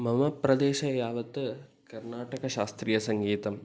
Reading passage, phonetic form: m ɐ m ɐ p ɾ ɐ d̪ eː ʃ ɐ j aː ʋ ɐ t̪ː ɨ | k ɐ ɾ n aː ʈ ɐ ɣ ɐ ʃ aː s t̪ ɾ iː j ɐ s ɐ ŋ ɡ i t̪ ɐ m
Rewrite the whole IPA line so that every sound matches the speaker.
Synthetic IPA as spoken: m ɐ m ɐ p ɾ ɐ d̪ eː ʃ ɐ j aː ʋ ɐ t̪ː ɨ | k ɐ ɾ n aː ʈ ɐ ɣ ɐ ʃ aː s t̪ ɾ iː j ɐ s ɐ ŋ ɡ iː t̪ ɐ m